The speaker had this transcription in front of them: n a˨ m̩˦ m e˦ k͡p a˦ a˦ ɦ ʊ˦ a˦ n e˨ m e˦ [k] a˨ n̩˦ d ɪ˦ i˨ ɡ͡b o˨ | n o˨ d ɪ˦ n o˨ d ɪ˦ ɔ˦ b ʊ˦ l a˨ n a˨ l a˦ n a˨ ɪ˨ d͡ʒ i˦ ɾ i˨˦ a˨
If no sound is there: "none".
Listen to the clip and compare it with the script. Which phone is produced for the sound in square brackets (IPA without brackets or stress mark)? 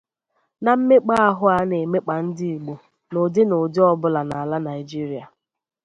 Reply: k͡p